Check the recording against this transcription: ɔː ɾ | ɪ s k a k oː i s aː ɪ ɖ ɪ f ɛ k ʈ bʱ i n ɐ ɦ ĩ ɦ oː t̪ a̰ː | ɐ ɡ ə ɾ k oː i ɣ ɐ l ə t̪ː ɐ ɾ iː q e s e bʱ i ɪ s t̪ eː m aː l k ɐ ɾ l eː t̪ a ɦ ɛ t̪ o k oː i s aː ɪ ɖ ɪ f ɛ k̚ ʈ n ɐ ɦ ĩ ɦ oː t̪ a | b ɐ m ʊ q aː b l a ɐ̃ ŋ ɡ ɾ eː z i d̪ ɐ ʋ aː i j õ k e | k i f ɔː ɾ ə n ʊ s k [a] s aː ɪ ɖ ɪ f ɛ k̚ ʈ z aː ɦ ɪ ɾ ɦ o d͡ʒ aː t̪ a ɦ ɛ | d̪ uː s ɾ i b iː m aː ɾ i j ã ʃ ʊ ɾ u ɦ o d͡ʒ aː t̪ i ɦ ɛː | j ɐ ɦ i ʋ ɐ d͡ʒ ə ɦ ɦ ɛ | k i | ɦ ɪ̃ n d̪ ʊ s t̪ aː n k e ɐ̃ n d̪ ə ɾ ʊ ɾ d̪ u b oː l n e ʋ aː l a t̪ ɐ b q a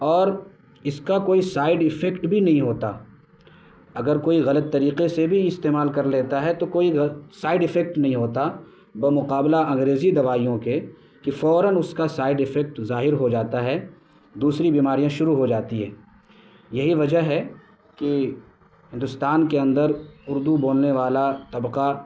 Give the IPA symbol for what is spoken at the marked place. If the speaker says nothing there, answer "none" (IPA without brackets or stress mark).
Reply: a